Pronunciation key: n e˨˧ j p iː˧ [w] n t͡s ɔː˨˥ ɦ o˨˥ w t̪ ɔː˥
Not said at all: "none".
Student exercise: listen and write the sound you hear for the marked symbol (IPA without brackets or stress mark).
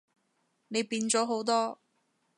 none